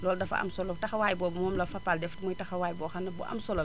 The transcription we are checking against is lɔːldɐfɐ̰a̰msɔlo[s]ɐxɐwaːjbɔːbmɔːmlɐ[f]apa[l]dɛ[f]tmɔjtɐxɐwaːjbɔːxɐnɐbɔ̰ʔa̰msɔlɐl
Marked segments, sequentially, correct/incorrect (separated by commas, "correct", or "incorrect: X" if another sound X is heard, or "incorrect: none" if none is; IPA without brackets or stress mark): incorrect: t, correct, correct, correct